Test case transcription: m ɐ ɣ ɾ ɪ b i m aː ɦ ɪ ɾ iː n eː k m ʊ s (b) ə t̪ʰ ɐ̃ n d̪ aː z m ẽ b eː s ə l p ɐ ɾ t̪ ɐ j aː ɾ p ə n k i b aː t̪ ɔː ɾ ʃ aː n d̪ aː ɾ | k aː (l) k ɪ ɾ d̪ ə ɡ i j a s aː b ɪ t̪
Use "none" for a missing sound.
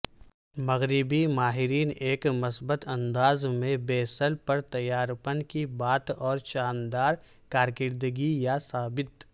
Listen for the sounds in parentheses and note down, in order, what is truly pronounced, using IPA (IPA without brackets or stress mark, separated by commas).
b, ɾ